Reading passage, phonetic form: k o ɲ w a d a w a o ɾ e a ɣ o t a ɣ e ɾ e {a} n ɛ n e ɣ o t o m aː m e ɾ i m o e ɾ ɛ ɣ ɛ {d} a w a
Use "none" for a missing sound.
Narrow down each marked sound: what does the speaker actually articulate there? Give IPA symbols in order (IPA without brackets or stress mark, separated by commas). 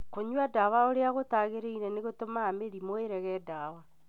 i, d